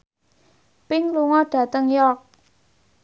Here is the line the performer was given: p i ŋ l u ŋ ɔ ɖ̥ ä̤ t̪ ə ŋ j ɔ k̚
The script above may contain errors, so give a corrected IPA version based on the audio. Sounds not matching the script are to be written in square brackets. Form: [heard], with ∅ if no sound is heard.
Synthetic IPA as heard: p [ɪ] ŋ l u ŋ ɔ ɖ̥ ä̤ t̪ ə ŋ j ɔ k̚